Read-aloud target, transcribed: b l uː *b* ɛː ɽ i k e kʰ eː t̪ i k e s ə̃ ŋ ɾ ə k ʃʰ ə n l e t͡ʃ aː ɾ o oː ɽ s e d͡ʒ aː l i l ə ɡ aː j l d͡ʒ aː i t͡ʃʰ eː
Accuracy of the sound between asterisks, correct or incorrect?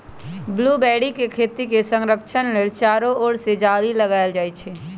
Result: correct